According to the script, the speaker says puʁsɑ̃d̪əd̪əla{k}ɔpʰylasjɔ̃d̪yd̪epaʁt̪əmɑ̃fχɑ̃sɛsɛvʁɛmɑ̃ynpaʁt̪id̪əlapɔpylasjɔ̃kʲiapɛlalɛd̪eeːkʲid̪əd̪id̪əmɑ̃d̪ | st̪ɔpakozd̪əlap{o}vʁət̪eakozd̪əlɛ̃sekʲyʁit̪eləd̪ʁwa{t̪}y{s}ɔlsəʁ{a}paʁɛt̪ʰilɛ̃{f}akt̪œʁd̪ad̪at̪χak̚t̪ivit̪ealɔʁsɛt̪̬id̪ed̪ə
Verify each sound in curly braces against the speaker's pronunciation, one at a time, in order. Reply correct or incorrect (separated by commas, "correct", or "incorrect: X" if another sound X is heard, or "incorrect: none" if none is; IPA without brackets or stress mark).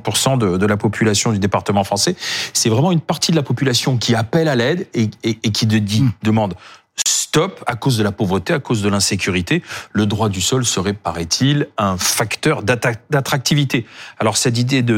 incorrect: p, correct, incorrect: d̪, correct, incorrect: ɛ, correct